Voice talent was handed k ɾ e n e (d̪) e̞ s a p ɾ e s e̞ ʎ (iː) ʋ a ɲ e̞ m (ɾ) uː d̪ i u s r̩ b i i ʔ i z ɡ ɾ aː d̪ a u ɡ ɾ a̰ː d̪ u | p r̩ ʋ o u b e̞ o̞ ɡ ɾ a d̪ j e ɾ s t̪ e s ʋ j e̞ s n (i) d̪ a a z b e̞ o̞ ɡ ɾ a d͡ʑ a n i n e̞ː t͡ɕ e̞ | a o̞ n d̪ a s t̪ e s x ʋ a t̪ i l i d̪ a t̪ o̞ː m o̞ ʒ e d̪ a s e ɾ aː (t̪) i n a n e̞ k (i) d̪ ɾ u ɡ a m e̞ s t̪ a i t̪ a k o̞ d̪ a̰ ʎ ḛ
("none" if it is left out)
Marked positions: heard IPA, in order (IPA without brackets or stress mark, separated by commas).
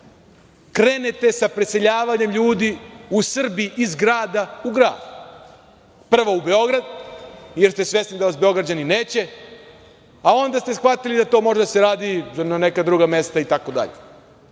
t̪, aː, ʎ, i, d̪, a